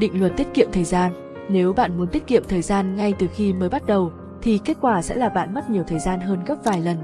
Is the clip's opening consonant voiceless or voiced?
voiced